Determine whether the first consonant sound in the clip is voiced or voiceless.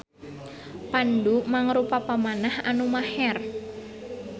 voiceless